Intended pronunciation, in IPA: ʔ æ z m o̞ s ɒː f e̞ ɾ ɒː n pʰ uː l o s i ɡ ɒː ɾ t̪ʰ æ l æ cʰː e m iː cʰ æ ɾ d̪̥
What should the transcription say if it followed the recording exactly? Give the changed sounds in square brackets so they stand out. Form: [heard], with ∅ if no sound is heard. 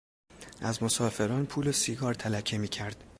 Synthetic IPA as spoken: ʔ æ z m o̞ s ɒː f e̞ ɾ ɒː n pʰ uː l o s i ɡ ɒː ɾ t̪ʰ æ l æ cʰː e m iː cʰ æ ɾ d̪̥